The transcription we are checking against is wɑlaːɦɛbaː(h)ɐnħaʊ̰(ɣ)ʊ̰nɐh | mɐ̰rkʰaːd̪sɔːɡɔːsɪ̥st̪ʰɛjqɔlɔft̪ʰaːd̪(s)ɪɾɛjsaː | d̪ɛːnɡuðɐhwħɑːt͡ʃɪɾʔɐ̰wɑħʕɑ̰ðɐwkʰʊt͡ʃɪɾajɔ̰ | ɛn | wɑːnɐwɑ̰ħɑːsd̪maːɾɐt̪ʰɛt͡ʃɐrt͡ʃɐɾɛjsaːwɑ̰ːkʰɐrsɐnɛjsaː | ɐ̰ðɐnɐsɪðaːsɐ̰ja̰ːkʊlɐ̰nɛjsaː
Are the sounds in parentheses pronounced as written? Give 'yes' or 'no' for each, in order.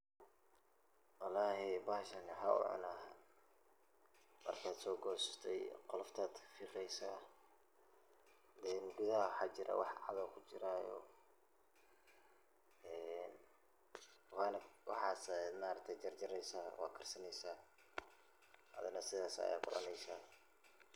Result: no, no, no

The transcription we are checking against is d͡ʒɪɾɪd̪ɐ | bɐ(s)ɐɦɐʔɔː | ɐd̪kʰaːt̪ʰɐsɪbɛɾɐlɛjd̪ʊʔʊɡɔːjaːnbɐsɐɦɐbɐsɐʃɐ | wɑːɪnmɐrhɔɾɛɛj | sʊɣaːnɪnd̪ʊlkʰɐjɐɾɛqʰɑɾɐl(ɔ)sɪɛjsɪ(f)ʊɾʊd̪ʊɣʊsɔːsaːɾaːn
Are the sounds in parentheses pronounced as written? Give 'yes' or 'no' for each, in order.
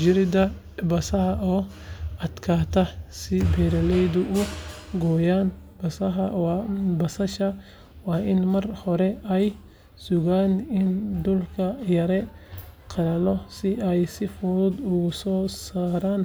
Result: yes, yes, yes

